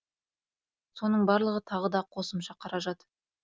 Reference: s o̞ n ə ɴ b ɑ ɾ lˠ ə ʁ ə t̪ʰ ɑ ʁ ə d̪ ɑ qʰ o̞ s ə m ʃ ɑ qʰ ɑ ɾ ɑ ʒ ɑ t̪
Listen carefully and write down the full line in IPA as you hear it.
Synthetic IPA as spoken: s o̞ n ə ɴ b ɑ ɾ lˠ ə ʁ ə t̪ʰ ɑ ʁ ə d̪ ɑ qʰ o̞ s ə m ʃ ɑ qʰ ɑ ɾ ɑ ʒ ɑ t̪